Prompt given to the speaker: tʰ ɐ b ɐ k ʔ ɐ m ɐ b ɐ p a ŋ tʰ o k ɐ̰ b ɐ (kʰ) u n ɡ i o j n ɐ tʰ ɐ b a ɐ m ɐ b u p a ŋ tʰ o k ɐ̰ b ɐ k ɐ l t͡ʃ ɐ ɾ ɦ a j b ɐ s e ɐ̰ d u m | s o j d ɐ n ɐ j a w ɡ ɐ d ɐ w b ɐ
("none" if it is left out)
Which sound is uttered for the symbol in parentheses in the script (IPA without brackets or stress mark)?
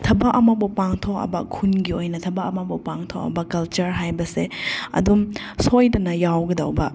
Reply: kʰ